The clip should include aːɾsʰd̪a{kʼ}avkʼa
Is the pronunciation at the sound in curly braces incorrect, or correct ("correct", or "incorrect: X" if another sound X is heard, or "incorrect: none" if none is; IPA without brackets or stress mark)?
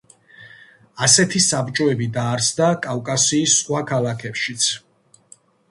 correct